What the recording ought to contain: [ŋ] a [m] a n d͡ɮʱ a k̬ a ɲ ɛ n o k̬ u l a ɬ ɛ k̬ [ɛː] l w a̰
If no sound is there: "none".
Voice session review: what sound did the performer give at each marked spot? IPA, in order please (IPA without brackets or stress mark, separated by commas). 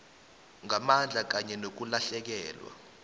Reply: ŋ, m, ɛː